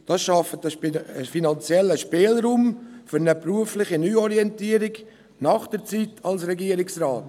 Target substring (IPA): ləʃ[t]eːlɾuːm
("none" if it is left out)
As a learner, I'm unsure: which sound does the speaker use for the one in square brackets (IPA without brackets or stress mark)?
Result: p